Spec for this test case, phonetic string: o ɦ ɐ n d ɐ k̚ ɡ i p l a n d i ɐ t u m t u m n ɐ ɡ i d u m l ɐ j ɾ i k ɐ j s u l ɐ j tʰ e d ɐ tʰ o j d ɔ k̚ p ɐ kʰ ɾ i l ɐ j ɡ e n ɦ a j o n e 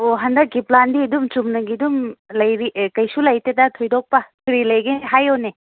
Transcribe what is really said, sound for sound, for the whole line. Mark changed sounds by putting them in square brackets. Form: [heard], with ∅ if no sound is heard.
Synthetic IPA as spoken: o ɦ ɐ n d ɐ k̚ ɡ i p l a n d i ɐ [d] u m [t͡ʃ] u m n ɐ ɡ i d u m l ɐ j ɾ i k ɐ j s u l ɐ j [t] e d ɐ tʰ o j d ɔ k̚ p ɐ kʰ ɾ i l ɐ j ɡ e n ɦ a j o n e